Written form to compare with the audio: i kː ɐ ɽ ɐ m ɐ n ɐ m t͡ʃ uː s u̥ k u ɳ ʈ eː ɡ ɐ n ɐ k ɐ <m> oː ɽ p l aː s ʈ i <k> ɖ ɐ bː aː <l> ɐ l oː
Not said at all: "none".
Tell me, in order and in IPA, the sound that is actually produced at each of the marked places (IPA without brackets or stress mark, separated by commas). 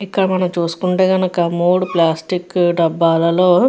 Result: m, k, l